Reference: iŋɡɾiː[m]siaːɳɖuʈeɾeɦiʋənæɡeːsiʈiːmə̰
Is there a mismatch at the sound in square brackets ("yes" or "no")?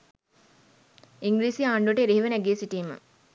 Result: yes